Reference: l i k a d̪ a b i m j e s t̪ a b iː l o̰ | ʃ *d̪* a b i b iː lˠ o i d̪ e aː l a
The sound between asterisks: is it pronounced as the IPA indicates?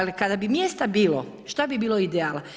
no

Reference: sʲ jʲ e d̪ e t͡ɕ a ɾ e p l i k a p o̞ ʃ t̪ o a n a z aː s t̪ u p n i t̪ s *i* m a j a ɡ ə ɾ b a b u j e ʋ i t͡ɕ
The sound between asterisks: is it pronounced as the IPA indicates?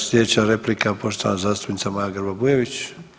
no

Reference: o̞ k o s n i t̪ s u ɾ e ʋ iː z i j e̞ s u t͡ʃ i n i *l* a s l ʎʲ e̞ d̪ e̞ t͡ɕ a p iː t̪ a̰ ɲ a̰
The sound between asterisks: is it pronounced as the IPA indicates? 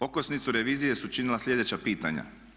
yes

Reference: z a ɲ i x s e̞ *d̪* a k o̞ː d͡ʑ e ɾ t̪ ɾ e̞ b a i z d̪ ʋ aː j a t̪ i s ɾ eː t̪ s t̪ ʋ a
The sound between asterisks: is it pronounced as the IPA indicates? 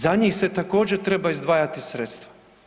no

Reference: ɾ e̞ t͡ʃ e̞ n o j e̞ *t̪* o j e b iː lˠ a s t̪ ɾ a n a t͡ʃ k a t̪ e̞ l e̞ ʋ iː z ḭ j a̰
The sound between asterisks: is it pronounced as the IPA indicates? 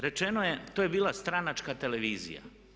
yes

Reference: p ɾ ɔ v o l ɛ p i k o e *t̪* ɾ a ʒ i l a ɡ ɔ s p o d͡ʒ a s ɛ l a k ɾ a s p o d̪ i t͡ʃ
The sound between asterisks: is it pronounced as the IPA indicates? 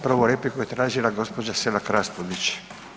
yes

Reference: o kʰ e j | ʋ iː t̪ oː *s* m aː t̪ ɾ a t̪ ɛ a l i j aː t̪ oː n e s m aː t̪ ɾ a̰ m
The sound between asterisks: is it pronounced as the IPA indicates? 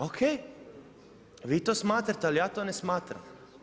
yes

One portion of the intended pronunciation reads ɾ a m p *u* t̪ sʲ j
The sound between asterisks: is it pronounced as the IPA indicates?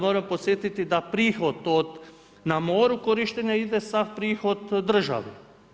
no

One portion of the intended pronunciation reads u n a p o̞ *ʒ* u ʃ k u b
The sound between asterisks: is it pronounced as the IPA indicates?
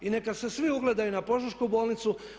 yes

